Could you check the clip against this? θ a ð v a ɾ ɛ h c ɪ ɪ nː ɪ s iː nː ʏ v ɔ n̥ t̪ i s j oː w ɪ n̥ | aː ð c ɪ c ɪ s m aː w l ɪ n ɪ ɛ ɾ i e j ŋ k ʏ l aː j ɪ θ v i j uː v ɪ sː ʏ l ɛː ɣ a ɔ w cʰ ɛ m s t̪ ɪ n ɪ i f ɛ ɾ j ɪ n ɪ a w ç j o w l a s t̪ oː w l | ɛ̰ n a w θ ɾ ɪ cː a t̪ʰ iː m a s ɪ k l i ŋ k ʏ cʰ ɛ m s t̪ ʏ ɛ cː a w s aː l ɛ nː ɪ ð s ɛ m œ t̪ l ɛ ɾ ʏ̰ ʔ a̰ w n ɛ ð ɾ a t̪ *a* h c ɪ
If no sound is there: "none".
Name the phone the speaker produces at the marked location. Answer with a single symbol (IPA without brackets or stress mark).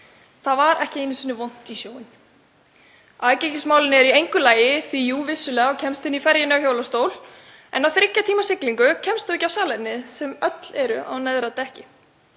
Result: ɛ